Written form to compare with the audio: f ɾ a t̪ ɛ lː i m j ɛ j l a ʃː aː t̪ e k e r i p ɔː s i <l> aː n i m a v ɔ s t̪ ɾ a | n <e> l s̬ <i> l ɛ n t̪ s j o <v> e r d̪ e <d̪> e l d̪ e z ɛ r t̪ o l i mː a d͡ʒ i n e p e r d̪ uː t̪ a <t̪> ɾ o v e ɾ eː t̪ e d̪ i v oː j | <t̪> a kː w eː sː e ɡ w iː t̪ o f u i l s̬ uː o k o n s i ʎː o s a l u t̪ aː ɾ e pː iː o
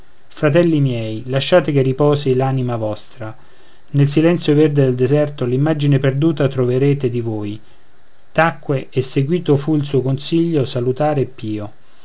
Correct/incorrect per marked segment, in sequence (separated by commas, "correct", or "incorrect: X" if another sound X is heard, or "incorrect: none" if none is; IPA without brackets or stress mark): correct, correct, correct, correct, correct, correct, correct